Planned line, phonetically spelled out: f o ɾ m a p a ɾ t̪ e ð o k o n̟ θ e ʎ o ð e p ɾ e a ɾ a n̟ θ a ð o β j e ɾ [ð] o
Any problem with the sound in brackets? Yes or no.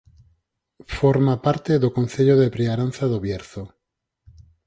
yes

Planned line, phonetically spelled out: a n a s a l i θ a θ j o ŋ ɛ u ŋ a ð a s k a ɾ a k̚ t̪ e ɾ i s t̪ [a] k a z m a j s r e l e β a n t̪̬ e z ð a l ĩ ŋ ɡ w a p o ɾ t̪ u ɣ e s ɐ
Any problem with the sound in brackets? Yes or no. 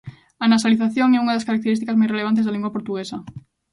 yes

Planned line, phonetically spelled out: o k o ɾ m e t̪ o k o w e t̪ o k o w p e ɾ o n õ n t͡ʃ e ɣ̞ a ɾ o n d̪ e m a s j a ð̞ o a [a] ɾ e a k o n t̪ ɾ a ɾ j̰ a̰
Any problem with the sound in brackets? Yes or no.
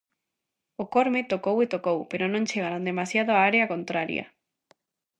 no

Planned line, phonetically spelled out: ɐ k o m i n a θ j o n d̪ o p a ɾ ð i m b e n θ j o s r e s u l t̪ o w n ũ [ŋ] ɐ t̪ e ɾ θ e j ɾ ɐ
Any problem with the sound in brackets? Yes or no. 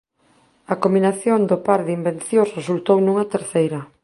no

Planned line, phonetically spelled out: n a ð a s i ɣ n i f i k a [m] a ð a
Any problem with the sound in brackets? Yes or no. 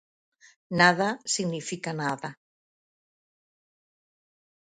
yes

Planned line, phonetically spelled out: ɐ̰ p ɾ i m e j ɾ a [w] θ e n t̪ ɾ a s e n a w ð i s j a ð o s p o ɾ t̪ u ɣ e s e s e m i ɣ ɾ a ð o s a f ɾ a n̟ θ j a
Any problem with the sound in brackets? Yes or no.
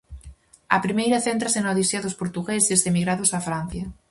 yes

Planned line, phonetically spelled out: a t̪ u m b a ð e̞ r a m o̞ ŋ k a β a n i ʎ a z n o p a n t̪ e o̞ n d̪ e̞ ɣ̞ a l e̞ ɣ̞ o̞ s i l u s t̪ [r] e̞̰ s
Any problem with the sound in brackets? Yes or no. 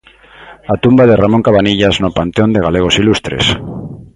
yes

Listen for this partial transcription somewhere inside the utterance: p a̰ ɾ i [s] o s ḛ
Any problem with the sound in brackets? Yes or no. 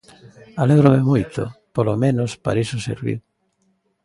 no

